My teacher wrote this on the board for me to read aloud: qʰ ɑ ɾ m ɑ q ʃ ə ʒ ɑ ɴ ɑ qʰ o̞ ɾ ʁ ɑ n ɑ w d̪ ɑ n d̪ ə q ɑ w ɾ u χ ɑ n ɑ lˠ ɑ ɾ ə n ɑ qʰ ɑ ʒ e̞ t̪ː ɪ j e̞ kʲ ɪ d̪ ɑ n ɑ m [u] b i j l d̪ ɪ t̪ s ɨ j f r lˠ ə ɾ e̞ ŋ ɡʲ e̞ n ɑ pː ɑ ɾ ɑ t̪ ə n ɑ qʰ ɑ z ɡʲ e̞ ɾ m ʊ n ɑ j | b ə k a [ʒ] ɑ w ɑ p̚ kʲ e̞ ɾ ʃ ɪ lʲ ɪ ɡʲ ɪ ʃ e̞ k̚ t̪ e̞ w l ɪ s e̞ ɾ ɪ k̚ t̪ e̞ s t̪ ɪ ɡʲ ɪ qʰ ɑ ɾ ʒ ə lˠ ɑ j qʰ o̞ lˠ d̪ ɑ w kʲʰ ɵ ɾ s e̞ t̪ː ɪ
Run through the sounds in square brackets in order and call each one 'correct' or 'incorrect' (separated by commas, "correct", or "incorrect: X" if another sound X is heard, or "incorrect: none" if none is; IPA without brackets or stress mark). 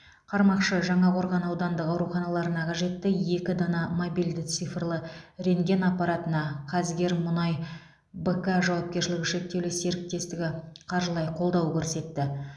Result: incorrect: o, correct